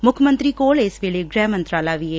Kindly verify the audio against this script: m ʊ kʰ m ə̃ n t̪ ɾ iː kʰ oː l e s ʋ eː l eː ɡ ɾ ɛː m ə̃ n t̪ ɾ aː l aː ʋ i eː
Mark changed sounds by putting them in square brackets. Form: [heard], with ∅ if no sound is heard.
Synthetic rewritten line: m ʊ kʰ m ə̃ n t̪ ɾ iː [k] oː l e s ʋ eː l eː ɡ ɾ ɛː m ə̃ n t̪ ɾ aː l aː ʋ i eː